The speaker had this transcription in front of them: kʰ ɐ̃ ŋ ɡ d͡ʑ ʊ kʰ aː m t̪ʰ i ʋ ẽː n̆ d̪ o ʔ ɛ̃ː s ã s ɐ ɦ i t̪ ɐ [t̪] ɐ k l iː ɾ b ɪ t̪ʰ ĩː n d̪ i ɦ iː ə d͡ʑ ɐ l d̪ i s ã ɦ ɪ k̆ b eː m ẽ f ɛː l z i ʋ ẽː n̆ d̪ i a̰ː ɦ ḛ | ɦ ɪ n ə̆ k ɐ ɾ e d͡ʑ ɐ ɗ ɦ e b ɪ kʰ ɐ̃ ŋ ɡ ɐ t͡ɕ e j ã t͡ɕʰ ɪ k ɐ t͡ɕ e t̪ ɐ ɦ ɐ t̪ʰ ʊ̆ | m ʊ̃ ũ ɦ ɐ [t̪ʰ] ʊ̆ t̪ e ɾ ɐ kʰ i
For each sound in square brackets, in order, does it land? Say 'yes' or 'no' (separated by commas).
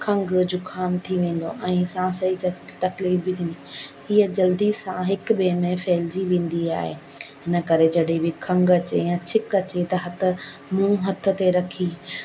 yes, yes